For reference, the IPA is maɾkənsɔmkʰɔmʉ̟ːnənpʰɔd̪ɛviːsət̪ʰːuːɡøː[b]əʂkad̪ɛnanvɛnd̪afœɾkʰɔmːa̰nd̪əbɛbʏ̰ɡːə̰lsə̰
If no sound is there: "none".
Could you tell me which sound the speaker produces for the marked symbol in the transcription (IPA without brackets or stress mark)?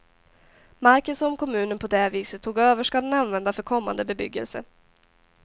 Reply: v